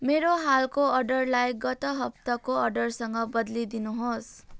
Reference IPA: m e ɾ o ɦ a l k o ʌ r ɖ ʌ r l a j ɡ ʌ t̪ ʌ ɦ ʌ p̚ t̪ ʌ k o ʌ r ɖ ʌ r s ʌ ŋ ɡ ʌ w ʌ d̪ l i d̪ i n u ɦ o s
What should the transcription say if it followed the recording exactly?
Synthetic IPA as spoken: m e ɾ o ɦ a l k o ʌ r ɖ ʌ r l a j ɡ ʌ t̪ ʌ ɦ ʌ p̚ t̪ ʌ k o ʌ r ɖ ʌ r s ʌ ŋ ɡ ʌ b ʌ d̪ l i d̪ i n u ɦ o s